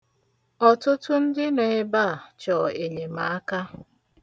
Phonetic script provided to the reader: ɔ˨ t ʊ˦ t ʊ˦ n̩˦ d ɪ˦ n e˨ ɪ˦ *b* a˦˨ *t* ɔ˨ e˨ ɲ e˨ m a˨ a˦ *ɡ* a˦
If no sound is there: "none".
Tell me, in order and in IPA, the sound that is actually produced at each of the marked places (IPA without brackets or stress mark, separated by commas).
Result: b, t͡ʃ, k